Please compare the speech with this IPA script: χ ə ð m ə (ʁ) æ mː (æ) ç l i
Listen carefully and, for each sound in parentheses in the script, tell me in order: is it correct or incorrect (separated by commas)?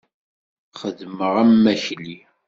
correct, correct